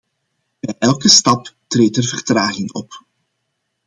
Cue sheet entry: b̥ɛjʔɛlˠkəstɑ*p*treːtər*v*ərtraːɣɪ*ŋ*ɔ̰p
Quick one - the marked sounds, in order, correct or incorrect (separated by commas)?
correct, correct, correct